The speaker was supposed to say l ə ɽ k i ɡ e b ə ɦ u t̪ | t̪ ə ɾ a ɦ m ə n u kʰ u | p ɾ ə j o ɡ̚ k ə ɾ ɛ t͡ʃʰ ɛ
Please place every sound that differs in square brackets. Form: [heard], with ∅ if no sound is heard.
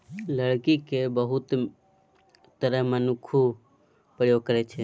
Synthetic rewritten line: l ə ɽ k i [k] e b ə ɦ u t̪ | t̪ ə ɾ [ə] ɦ m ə n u kʰ u | p ɾ ə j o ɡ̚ k ə ɾ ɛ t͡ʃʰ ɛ